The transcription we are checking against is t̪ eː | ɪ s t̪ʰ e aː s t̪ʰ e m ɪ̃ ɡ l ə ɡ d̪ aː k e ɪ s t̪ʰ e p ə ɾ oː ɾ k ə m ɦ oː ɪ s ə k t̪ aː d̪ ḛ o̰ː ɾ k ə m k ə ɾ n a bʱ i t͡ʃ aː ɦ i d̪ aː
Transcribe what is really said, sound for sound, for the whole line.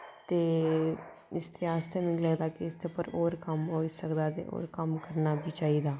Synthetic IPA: t̪ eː | ɪ s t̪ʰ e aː s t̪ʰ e m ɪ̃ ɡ l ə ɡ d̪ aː k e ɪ s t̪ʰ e p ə ɾ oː ɾ k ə m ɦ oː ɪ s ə k d̪ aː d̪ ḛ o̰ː ɾ k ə m k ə ɾ n a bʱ i t͡ʃ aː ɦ i d̪ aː